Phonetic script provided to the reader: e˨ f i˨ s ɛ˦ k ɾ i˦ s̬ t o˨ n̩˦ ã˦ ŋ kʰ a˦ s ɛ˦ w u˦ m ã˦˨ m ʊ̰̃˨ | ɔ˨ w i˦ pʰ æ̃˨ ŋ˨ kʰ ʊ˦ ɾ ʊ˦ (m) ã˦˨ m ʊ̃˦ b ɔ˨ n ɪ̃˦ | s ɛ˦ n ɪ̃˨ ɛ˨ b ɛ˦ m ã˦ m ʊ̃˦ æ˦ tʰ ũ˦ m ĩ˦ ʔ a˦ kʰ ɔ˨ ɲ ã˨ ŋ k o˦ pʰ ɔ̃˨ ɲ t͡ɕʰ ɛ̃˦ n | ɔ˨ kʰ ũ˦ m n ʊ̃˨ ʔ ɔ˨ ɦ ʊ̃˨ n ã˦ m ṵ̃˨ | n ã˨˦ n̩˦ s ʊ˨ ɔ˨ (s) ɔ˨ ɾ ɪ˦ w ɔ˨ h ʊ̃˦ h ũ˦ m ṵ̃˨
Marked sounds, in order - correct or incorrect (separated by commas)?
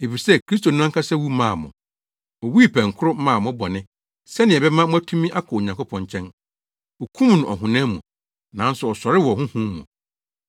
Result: correct, correct